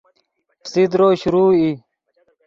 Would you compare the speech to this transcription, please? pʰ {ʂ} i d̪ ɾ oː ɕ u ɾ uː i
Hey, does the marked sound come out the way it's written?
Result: no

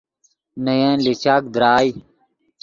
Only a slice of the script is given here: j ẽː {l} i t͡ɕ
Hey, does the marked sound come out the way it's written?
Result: yes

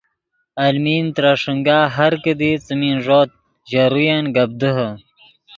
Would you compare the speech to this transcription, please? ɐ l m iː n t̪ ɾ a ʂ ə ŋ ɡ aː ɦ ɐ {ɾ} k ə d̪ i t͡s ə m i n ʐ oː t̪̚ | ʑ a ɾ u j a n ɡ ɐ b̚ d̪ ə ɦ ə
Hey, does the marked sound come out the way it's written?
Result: yes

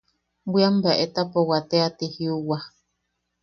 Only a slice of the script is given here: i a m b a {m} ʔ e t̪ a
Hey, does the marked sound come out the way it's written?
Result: no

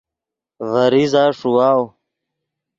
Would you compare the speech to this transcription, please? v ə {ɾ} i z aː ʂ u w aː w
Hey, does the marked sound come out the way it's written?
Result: yes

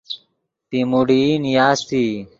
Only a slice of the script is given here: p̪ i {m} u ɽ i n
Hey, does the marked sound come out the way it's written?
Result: yes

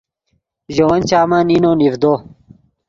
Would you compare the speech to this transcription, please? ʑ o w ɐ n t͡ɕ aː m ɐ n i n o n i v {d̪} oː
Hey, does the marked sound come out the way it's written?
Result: yes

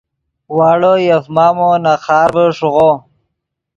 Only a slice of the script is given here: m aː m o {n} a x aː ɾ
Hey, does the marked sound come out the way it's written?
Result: yes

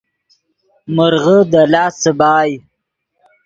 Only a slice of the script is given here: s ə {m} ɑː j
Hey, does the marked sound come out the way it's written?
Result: no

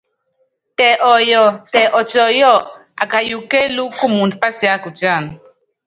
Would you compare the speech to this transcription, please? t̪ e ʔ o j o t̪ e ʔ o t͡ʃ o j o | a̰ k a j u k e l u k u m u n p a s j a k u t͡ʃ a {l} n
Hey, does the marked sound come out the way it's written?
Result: no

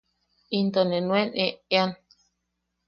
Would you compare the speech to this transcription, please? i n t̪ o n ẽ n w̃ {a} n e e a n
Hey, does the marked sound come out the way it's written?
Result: no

